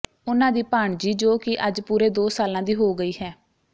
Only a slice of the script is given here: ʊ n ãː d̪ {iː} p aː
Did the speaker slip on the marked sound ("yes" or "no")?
no